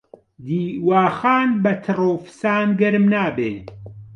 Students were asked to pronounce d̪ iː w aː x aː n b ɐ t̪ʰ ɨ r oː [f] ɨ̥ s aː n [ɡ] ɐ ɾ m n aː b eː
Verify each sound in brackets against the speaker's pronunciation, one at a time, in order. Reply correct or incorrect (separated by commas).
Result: correct, correct